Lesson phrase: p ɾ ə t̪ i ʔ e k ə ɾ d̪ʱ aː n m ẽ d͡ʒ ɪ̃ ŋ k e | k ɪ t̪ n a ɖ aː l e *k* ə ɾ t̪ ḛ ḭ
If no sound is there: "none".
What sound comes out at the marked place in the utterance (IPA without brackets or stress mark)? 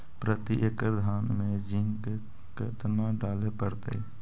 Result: p